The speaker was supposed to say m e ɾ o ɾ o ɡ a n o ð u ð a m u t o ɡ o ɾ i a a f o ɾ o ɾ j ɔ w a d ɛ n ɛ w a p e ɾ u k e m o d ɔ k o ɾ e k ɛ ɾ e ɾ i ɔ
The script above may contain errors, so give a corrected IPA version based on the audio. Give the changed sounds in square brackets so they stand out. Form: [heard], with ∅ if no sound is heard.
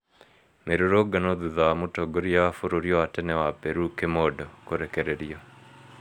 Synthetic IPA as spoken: m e ɾ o ɾ o ɡ a n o ð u ð a m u t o ɡ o ɾ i a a f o ɾ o ɾ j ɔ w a [t] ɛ n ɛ w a p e ɾ u k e m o d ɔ k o ɾ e k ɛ ɾ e ɾ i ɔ